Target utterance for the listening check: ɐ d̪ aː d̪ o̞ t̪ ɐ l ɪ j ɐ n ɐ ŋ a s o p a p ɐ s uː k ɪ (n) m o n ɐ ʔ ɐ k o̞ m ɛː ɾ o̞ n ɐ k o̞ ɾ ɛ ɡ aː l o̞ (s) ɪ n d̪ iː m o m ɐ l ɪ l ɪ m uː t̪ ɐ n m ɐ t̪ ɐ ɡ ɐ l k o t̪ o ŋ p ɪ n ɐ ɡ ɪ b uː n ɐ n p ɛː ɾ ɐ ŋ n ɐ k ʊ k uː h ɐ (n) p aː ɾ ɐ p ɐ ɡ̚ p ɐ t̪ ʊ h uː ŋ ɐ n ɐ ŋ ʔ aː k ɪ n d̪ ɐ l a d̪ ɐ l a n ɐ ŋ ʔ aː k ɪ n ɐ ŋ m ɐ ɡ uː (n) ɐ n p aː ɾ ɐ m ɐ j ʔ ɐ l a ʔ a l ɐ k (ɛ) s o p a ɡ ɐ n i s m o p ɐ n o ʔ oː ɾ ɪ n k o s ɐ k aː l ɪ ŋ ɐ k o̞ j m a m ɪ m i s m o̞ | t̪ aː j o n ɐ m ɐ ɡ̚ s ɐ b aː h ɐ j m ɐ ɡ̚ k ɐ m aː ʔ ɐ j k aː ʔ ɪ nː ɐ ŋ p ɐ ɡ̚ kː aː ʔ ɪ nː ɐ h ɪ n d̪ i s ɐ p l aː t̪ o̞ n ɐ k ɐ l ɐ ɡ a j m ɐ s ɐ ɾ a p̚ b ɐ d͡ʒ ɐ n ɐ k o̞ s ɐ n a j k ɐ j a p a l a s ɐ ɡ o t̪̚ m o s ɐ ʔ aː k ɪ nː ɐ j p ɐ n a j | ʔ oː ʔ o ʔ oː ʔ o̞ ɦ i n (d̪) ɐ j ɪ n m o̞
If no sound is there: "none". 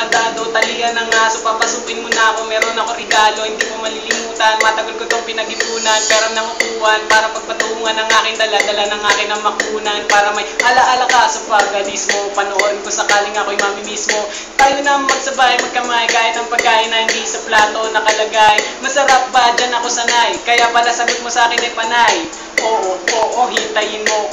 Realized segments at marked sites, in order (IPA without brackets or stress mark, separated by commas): n, h, n, n, a, t̪